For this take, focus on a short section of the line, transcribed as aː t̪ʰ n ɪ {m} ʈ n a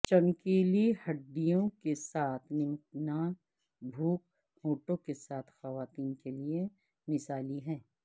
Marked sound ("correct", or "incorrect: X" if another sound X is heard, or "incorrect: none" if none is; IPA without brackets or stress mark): correct